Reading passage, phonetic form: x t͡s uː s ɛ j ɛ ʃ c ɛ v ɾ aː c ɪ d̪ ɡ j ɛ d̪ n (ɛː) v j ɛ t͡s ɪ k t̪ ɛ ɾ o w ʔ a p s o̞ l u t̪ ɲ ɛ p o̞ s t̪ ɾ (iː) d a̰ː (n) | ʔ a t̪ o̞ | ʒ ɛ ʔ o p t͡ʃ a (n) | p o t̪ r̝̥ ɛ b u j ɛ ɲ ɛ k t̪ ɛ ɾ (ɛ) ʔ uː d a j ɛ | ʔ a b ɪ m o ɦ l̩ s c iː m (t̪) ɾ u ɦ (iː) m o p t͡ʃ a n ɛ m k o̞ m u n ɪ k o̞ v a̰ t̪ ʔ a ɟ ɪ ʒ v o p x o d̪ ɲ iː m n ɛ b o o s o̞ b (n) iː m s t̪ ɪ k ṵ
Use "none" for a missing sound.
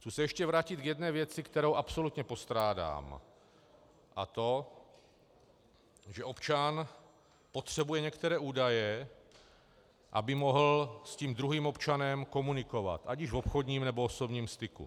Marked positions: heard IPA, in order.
ɛː, aː, m, n, ɛː, d̪, iː, ɲ

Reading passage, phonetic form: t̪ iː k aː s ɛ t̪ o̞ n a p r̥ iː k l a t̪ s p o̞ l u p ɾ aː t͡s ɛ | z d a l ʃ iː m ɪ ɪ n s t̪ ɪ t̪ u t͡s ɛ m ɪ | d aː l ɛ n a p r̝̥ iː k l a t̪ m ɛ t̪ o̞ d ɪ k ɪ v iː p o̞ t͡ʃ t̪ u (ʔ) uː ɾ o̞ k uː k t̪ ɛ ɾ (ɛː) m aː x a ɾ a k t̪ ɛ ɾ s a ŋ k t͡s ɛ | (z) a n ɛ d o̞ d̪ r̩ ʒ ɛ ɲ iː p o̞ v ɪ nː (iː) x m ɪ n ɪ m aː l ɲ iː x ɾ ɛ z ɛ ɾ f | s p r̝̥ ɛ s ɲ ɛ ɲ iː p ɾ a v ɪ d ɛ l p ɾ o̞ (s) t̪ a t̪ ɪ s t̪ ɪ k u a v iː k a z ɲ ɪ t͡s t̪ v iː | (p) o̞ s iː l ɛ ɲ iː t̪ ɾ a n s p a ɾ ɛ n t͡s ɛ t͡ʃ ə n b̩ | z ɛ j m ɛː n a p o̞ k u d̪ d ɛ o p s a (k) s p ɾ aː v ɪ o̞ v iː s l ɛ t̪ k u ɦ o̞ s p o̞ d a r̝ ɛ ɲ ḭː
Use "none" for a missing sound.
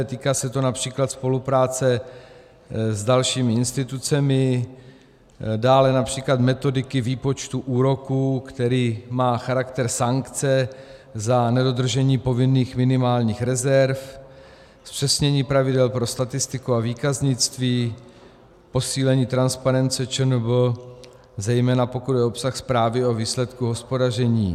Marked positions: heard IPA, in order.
ʔ, iː, z, iː, s, p, x

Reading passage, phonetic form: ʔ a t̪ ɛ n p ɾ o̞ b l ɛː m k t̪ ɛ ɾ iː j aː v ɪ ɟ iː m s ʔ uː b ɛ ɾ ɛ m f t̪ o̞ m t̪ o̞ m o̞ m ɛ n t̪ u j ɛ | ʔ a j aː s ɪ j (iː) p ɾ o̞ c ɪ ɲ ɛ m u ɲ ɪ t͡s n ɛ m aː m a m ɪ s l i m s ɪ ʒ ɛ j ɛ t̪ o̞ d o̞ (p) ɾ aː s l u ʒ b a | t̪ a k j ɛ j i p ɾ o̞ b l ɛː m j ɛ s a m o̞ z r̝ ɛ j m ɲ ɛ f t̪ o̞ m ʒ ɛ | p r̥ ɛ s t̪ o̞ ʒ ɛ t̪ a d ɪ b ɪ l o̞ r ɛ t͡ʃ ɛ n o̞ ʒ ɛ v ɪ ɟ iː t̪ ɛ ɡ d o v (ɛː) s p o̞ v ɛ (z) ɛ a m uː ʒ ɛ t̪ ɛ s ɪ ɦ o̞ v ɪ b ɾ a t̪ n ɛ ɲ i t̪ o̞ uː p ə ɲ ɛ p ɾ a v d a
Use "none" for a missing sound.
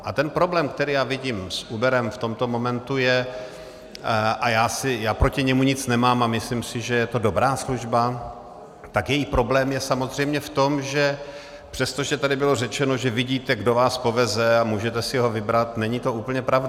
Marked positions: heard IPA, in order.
aː, b, aː, z

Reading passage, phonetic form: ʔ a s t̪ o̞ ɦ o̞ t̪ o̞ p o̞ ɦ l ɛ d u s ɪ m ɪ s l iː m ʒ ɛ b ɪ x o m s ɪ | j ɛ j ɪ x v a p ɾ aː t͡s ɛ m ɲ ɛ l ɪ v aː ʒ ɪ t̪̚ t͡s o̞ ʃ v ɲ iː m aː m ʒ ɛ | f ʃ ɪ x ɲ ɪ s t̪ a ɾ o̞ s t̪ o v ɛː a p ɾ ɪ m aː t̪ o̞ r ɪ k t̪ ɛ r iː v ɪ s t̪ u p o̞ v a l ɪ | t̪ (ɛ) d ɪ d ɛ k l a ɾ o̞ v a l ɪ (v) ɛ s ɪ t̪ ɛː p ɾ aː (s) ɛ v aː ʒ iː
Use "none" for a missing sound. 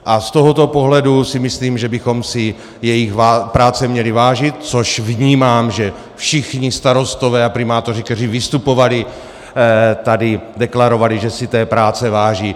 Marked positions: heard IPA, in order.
a, ʒ, t͡s

